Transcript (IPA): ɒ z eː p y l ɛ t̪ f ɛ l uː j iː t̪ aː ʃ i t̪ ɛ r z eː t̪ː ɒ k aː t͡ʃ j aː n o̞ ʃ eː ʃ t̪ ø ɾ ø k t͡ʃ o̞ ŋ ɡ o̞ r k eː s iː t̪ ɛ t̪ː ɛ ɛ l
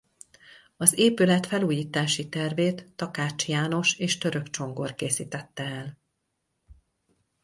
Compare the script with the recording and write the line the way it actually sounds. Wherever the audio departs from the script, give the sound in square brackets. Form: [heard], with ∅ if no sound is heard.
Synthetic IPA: ɒ z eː p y l ɛ t̪ f ɛ l uː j iː t̪ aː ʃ i t̪ ɛ r [v] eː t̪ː ɒ k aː t͡ʃ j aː n o̞ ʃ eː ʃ t̪ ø ɾ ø k t͡ʃ o̞ ŋ ɡ o̞ r k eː s iː t̪ ɛ t̪ː ɛ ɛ l